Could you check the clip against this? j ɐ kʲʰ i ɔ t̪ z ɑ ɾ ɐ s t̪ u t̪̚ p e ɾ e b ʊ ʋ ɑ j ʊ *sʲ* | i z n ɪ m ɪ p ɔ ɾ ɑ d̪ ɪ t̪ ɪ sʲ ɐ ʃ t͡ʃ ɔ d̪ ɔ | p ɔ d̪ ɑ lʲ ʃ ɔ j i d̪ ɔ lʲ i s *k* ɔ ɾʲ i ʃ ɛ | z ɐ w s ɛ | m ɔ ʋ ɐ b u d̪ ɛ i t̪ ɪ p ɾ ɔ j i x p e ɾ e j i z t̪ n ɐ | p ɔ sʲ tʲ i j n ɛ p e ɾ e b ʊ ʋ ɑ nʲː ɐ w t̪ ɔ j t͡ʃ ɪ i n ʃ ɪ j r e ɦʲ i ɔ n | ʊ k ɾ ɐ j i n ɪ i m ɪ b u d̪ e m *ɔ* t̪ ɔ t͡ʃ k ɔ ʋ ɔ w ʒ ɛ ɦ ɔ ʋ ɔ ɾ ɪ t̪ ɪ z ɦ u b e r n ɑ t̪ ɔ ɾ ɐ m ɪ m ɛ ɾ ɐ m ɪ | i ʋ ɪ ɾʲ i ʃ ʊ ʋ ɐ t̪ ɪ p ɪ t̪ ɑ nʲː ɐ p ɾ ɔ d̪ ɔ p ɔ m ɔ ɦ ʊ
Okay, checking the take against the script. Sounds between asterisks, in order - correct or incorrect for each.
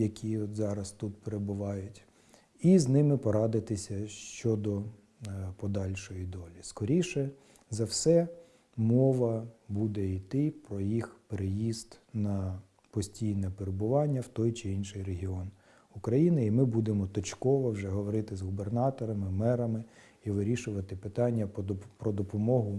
incorrect, correct, correct

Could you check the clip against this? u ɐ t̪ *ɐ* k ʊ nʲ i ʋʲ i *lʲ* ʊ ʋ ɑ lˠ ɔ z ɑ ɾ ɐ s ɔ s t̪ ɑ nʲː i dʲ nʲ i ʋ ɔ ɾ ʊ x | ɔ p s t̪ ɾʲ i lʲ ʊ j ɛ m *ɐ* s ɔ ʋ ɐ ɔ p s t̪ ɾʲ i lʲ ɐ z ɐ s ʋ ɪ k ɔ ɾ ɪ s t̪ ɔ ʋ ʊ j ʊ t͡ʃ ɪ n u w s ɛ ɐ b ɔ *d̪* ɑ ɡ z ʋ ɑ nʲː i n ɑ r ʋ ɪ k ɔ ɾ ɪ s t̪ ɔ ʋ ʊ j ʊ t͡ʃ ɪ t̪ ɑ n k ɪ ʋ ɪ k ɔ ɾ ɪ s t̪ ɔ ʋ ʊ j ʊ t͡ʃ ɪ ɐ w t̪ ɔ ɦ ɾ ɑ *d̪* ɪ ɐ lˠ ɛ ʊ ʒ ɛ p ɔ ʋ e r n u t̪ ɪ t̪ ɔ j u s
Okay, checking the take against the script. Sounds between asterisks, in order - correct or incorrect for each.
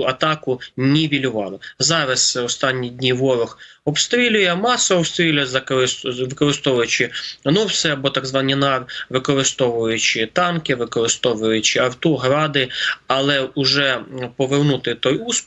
incorrect, correct, incorrect, incorrect, correct

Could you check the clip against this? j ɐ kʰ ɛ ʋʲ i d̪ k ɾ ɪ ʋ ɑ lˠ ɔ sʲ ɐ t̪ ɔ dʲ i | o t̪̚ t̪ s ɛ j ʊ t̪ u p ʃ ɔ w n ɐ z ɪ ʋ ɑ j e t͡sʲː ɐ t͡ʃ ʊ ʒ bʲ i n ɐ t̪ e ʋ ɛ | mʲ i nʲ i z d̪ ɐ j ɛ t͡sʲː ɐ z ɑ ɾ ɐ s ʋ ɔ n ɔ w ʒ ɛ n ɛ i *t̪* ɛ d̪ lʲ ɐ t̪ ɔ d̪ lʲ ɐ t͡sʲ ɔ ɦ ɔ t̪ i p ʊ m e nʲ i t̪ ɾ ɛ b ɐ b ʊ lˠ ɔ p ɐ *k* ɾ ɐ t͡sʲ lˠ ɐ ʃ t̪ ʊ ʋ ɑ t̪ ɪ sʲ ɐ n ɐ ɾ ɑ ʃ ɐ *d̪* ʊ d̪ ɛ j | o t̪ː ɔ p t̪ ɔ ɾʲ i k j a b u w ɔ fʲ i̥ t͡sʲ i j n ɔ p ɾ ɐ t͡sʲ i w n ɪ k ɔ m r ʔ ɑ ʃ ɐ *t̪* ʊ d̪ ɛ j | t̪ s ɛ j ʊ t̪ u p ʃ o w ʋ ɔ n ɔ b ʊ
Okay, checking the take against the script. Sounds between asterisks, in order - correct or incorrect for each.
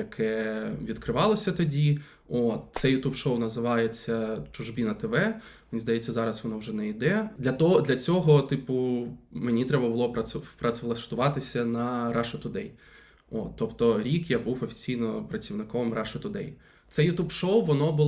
incorrect, incorrect, incorrect, correct

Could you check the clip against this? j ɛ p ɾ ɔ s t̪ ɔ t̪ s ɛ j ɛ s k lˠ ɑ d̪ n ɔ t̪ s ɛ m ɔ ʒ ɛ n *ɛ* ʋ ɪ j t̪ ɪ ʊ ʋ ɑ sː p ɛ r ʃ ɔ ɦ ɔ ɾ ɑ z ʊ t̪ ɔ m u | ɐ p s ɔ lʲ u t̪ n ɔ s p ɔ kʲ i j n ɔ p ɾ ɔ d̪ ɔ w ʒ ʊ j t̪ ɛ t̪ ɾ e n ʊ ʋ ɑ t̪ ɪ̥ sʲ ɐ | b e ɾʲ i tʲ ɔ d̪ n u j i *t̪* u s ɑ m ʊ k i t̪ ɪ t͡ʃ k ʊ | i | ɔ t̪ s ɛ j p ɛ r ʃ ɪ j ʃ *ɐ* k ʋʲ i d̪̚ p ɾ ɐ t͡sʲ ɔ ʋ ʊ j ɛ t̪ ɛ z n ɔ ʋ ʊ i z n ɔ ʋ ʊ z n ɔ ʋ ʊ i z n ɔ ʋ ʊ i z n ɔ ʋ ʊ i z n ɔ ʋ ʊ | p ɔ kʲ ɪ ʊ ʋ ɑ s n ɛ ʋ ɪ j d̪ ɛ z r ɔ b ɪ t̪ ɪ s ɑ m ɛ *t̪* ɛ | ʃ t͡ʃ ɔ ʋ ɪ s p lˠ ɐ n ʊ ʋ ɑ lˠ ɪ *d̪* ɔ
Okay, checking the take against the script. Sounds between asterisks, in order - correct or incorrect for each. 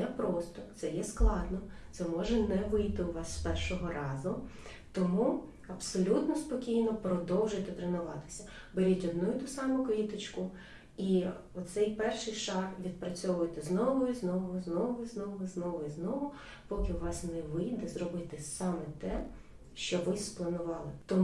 correct, correct, incorrect, correct, incorrect

